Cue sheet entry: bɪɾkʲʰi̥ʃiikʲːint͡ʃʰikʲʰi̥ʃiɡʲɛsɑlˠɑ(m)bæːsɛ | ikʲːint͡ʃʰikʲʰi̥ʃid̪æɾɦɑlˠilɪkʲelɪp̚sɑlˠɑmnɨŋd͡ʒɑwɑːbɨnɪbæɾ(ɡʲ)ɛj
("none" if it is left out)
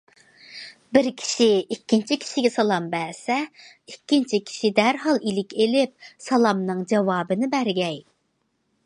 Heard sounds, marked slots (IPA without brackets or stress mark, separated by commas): m, ɡʲ